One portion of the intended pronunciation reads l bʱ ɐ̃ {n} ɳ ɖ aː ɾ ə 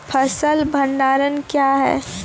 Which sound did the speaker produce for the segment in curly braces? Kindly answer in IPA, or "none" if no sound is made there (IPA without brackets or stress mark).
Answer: none